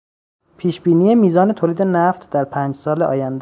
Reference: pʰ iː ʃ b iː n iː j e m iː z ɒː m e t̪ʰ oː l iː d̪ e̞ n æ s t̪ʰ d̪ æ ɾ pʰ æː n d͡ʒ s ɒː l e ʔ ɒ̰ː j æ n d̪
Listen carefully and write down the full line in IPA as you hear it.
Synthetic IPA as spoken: pʰ iː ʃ b iː n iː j e m iː z ɒː n e t̪ʰ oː l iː d̪ e̞ n æ f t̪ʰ d̪ æ ɾ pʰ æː n d͡ʒ s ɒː l e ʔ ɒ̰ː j æ n d̪